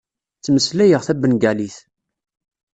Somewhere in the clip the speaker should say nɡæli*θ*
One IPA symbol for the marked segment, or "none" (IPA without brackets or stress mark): θ